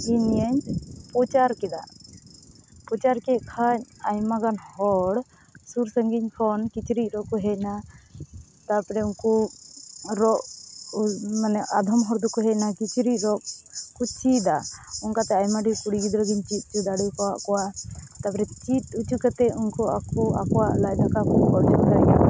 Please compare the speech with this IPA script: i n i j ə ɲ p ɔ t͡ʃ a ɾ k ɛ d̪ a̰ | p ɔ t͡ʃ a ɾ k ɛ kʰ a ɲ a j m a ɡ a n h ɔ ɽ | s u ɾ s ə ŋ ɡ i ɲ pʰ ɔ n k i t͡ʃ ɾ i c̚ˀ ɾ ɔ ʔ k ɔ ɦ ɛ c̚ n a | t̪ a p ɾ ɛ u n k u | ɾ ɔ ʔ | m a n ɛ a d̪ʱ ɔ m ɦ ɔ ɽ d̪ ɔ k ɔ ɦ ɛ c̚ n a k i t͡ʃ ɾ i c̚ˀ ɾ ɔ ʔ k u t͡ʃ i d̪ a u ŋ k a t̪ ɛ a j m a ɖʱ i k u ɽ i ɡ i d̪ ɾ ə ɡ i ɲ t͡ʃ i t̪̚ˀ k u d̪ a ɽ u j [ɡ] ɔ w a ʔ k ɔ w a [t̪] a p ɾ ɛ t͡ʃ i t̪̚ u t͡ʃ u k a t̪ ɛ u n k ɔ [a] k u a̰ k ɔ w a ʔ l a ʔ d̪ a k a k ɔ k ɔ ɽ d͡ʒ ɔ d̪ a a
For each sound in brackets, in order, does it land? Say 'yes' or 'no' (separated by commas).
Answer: no, yes, yes